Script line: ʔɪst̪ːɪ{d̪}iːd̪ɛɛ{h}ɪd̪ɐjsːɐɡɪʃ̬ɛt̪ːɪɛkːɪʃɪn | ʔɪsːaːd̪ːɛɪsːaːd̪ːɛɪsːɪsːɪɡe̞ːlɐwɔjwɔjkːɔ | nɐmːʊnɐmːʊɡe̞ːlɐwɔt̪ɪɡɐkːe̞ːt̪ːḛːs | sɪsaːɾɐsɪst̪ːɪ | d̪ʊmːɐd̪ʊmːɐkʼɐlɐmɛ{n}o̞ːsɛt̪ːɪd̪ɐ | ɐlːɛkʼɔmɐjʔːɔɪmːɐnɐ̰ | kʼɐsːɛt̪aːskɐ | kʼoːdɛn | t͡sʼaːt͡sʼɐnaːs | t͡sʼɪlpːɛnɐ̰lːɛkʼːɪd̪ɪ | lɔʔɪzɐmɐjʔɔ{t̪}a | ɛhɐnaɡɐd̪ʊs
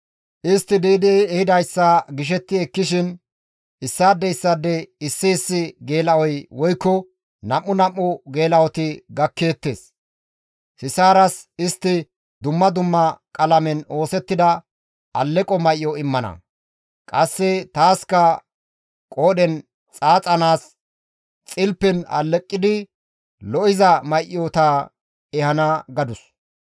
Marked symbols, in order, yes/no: yes, yes, yes, yes

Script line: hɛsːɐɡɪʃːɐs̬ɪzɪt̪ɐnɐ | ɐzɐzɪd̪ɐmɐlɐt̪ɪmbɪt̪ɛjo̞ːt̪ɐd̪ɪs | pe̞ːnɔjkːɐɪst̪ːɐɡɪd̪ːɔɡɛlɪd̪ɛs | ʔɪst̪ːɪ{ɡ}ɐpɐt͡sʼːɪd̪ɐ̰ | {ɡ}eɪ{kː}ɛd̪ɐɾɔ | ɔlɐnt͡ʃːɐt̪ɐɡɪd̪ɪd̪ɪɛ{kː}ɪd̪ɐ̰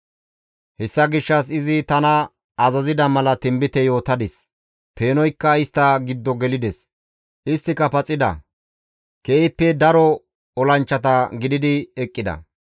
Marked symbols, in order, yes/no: no, no, no, no

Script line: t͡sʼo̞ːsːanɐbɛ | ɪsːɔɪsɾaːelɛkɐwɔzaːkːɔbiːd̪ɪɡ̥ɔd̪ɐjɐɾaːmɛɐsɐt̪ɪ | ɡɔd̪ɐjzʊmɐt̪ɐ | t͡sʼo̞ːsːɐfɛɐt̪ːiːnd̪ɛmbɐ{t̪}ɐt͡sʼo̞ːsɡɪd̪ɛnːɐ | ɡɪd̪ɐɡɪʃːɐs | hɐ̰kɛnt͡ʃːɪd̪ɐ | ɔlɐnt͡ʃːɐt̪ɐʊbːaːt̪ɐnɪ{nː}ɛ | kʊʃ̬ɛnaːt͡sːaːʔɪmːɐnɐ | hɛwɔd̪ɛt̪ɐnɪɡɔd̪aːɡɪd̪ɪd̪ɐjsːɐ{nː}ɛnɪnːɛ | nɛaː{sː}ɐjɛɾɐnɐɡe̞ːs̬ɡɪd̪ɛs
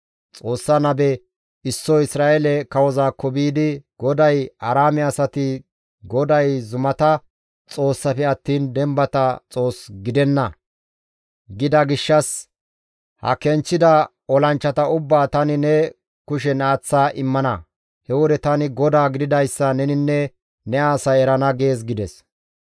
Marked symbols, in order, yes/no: yes, no, no, no

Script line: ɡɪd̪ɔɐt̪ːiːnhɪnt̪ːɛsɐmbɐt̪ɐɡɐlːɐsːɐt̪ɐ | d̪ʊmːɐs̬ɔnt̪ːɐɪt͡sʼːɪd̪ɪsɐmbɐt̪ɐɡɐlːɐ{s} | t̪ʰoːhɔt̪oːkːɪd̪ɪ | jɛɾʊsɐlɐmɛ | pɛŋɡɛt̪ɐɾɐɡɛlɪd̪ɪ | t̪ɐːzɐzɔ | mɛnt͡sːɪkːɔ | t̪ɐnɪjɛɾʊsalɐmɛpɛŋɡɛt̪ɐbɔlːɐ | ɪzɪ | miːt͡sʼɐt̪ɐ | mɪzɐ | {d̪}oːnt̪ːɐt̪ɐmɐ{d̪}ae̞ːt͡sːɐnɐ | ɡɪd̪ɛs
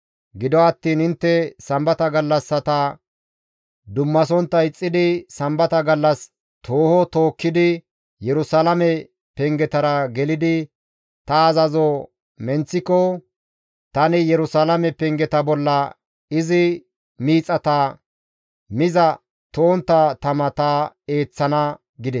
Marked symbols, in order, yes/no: yes, no, no

